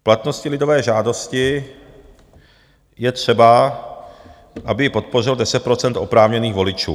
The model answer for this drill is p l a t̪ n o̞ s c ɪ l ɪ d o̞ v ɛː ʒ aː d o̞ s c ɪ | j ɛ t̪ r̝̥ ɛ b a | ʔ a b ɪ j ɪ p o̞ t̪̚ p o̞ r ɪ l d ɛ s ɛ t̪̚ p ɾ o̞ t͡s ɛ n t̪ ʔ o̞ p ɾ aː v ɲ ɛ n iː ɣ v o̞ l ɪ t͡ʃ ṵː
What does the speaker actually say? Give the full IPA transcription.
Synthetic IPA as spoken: p l a t̪ n o̞ s c ɪ l ɪ d o̞ v ɛː ʒ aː d o̞ s c ɪ | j ɛ t̪ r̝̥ ɛ b a | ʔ a b ɪ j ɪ p o̞ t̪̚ p o̞ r ɪ l d ɛ s ɛ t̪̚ p ɾ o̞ t͡s ɛ n t̪ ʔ o̞ p ɾ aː v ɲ ɛ n iː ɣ v o̞ l ɪ t͡ʃ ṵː